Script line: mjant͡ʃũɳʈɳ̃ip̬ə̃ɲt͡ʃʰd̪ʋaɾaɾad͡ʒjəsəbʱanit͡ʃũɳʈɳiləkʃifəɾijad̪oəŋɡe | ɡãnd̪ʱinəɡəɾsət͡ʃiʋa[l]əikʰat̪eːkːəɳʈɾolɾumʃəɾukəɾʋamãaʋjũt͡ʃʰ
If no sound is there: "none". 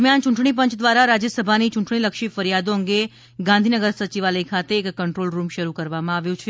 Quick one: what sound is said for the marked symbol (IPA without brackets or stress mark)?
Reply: l